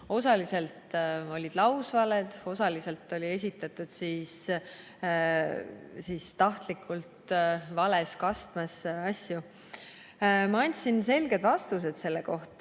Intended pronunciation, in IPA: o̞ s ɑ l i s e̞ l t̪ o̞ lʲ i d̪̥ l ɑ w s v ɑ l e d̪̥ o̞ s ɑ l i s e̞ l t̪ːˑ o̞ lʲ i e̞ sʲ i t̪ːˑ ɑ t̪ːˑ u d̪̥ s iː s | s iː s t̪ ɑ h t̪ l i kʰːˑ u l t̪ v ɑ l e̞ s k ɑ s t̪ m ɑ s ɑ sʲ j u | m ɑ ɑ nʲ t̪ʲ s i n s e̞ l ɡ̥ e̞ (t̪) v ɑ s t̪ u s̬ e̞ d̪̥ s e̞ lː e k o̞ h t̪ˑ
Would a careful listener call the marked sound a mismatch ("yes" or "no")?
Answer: yes